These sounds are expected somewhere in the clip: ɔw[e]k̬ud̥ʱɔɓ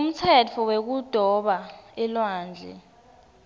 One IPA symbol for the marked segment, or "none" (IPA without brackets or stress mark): e